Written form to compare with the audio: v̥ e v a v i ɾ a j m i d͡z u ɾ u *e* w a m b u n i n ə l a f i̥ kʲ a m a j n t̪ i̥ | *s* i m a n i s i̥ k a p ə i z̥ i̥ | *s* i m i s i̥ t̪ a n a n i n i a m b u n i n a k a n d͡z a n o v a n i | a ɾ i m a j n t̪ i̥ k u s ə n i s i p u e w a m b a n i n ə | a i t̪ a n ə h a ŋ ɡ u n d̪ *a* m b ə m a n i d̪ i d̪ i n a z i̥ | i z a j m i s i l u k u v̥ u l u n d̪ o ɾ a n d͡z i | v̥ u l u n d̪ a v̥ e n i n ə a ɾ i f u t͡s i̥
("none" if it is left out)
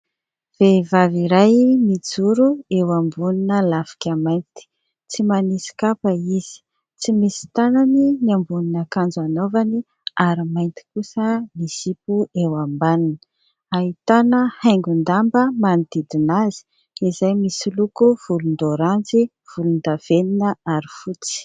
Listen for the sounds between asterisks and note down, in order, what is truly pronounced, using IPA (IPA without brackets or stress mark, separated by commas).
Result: e, t͡s, t͡s, a